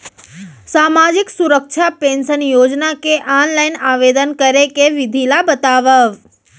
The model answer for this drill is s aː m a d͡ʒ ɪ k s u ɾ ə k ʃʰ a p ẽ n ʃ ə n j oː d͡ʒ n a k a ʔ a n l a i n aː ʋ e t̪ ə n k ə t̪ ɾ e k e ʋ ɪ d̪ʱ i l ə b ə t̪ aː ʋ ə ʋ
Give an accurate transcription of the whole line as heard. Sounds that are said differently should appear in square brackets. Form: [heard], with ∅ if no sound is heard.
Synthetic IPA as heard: s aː m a d͡ʒ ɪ k s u ɾ ə k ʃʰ a p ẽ n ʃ ə n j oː d͡ʒ n a k [e] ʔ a n l a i n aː ʋ e [d̪] ə n k ə [∅] ɾ e k e ʋ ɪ d̪ʱ i l [a] b ə t̪ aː ʋ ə ʋ